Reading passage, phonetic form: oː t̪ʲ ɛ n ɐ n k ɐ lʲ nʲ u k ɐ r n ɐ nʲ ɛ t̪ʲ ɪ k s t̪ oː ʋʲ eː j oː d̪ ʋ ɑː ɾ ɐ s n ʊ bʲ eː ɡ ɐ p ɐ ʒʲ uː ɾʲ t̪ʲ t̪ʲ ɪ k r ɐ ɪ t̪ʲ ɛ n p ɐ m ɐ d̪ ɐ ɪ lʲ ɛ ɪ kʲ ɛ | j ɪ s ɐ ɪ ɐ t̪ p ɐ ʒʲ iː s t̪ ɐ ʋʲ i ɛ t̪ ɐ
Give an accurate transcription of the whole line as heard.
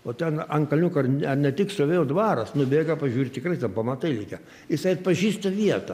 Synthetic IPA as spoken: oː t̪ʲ ɛ n ɐ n k ɐ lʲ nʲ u k ɐ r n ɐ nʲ ɛ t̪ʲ ɪ k s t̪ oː ʋʲ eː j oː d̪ ʋ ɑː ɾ ɐ s n ʊ bʲ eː ɡ ɐ p ɐ ʒʲ uː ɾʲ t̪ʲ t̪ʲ ɪ k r ɐ ɪ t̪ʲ ɛ n p ɐ m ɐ t̪ ɐ ɪ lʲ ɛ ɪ kʲ ɛ | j ɪ s ɐ ɪ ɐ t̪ p ɐ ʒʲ iː s t̪ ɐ ʋʲ i ɛ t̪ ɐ